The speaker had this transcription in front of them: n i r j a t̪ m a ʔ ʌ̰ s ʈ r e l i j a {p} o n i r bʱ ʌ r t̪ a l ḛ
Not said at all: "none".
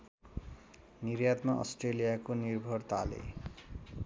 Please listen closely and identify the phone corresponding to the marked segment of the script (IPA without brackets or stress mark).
k